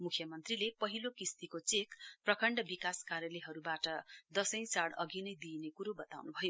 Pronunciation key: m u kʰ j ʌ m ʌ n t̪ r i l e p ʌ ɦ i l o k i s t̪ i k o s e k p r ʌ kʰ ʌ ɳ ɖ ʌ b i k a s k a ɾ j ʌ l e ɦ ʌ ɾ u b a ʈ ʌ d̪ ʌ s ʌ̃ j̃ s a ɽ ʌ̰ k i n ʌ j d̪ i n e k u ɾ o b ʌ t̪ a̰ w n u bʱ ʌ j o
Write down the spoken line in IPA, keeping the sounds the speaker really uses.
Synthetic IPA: m u kʰ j ʌ m ʌ n t̪ r i l e p ʌ ɦ i l o k i s t̪ i k o t͡s e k p r ʌ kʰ ʌ ɳ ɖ ʌ b i k a s k a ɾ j ʌ l e ɦ ʌ ɾ u b a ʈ ʌ d̪ ʌ s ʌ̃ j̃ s a ɽ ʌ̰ ɡ i n ʌ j d̪ i n e k u ɾ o b ʌ t̪ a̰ w n u bʱ ʌ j o